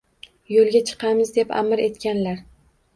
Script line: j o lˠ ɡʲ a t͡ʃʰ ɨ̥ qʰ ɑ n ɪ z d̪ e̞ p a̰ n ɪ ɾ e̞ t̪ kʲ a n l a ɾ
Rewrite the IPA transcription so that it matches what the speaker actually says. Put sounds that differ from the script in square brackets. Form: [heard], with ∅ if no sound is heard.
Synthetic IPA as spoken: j o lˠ ɡʲ a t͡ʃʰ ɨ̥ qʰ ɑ [m] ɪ z d̪ e̞ p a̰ [m] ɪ ɾ e̞ t̪ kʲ a n l a ɾ